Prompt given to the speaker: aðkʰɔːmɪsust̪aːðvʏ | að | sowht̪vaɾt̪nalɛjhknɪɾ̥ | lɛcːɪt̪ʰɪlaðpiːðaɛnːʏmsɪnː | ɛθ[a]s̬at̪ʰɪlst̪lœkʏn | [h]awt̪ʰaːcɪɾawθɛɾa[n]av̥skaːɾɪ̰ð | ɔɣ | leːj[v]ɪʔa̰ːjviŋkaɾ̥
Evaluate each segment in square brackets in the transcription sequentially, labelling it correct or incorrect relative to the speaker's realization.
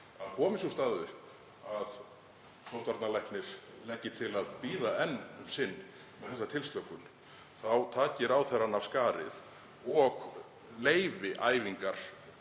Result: incorrect, incorrect, correct, correct

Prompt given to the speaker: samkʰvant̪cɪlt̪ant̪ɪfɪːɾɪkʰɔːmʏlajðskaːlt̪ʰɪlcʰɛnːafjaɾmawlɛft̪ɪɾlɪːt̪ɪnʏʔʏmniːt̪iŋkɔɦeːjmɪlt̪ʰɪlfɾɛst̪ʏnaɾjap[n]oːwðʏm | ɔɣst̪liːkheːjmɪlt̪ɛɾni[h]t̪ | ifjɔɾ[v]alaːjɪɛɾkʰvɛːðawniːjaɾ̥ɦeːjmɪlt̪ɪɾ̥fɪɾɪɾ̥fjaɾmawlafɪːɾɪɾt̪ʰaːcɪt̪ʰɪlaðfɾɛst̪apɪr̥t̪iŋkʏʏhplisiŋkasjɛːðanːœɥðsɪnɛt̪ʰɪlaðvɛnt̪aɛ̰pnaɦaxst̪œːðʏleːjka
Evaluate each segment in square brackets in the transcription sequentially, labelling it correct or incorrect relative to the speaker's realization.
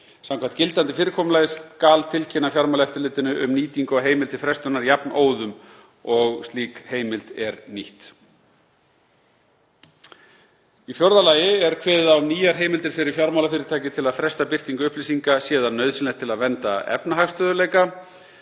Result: correct, correct, incorrect

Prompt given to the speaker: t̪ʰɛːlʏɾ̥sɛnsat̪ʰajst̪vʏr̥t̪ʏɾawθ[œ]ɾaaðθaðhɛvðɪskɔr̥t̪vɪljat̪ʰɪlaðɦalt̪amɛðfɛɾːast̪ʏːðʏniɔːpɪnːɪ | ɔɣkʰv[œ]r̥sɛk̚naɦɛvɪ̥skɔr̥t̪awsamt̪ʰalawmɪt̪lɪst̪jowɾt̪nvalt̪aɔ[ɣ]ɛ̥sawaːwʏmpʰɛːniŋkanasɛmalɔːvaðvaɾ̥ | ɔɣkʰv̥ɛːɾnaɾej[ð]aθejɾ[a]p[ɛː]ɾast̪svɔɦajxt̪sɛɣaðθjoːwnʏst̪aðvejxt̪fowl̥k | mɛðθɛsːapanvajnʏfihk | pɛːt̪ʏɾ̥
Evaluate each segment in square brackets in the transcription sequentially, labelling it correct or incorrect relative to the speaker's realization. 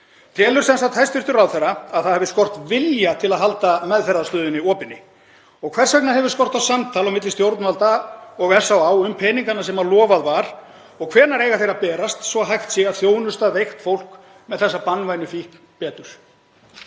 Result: incorrect, incorrect, correct, incorrect, correct, correct

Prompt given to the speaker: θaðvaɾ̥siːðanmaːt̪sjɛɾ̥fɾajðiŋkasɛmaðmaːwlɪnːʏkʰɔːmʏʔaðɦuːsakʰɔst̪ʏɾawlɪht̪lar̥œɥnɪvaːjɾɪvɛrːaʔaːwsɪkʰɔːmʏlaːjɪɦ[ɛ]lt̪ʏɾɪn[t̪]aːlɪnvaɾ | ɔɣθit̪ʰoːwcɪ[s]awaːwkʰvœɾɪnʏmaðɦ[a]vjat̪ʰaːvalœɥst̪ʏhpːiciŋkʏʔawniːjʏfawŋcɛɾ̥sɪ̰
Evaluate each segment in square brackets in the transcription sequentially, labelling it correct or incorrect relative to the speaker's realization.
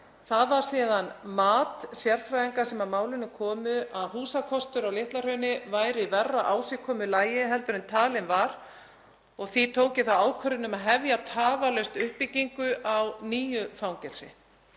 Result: correct, incorrect, incorrect, incorrect

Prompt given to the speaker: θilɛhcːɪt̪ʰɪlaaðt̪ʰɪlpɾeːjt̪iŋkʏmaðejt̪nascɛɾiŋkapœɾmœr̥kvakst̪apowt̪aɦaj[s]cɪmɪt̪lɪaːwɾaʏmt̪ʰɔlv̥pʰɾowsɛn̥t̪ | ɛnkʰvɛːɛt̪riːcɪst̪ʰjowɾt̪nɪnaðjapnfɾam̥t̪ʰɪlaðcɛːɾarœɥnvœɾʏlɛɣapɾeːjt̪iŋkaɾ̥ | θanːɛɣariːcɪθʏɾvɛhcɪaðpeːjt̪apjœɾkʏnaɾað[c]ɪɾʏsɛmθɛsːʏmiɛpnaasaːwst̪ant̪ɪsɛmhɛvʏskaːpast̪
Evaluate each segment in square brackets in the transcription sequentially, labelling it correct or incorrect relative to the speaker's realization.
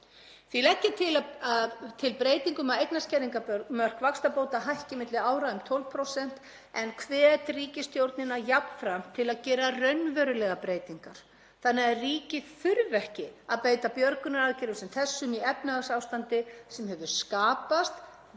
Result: incorrect, correct

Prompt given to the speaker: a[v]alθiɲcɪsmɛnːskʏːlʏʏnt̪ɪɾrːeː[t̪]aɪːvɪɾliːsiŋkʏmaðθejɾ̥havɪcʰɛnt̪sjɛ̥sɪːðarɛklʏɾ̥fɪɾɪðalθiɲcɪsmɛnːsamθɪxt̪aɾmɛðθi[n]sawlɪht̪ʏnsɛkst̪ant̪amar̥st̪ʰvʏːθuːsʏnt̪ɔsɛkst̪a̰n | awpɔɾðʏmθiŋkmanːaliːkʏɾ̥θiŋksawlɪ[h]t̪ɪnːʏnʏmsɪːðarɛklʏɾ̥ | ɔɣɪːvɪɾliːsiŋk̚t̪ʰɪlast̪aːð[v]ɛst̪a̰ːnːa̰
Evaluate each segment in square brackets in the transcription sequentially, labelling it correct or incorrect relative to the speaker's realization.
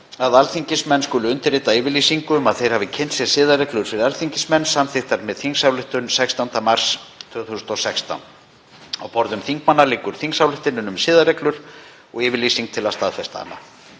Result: incorrect, correct, incorrect, correct, incorrect

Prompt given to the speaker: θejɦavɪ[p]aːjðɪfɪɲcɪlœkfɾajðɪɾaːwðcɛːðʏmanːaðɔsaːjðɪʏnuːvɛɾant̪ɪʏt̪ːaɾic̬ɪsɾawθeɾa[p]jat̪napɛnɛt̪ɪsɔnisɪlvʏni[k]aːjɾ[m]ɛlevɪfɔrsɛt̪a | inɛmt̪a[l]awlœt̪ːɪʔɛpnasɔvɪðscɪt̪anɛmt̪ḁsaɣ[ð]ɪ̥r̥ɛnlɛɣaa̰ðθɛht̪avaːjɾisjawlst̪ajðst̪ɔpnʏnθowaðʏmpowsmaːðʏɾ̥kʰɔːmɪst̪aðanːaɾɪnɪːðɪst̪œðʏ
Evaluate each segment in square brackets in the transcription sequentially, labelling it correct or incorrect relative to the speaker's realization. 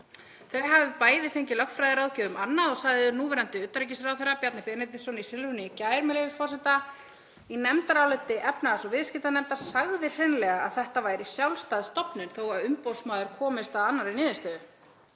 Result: correct, correct, incorrect, correct, incorrect, correct

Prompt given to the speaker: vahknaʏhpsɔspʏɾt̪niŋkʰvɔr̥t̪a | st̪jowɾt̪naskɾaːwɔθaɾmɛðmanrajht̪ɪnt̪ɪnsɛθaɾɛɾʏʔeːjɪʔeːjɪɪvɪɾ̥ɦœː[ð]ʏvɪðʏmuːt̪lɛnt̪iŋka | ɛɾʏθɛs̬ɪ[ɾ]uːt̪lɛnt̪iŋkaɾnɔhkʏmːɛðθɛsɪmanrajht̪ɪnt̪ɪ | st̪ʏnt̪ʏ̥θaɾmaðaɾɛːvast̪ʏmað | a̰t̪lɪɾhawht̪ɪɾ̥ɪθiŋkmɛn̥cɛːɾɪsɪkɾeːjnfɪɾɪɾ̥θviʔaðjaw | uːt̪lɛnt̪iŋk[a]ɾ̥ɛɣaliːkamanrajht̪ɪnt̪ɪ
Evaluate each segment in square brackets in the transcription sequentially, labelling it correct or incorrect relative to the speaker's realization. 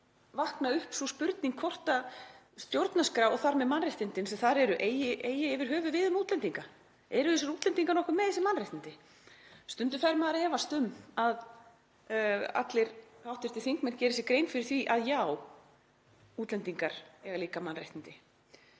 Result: incorrect, correct, correct

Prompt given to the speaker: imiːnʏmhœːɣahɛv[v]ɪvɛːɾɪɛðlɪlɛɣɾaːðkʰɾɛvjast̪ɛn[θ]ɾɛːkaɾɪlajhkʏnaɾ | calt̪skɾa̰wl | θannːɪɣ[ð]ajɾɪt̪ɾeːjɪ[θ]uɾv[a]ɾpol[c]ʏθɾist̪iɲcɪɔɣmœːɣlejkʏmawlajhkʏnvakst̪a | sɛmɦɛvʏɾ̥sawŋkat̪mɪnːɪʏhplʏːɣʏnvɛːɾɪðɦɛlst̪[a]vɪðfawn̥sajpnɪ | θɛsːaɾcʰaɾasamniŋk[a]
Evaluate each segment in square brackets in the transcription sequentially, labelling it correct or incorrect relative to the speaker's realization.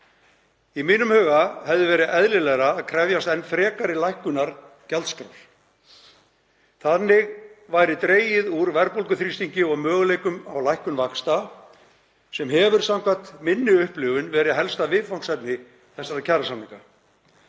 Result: incorrect, incorrect, incorrect, incorrect, incorrect, incorrect, correct, correct

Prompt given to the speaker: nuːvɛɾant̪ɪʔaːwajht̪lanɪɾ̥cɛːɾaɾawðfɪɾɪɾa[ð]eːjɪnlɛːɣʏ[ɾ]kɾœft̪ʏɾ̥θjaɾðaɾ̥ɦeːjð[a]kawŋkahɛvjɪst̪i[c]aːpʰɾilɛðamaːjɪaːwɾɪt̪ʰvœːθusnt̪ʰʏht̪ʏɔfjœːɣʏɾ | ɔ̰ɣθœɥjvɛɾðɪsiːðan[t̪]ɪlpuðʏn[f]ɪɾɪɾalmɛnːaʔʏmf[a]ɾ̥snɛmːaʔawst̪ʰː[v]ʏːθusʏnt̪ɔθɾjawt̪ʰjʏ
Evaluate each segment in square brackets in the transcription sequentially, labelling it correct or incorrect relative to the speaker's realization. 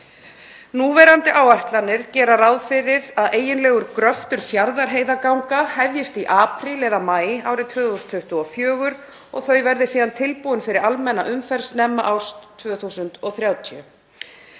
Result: correct, correct, correct, incorrect, incorrect, correct, incorrect, correct

